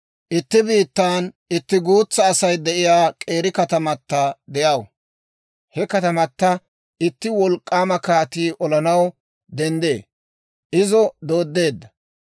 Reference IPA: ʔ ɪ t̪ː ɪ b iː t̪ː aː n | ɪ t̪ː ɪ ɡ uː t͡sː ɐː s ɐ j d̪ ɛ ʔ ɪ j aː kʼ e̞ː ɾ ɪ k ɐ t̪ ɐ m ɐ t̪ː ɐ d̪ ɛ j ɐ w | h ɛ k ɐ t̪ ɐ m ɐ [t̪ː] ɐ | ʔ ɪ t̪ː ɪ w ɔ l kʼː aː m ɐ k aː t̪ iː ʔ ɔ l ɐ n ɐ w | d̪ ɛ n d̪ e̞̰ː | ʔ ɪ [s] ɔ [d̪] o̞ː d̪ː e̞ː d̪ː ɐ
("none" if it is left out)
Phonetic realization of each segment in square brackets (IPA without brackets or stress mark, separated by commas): t̪ː, z, d̪